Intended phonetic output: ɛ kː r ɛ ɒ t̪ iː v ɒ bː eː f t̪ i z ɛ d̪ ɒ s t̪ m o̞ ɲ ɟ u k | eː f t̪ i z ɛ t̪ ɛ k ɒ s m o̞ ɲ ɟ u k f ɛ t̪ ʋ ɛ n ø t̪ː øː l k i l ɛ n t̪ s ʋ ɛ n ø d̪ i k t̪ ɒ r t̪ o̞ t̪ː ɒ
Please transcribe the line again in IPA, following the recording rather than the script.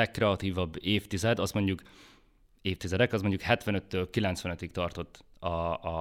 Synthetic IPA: ɛ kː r ɛ ɒ t̪ iː v ɒ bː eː f t̪ i z ɛ d̪ ɒ s t̪ m o̞ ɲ ɟ u k | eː f t̪ i z ɛ d̪ ɛ k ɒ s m o̞ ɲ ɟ u k h ɛ t̪ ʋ ɛ n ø t̪ː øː l k i l ɛ n t̪ s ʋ ɛ n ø t̪ i k t̪ ɒ r t̪ o̞ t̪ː ɒ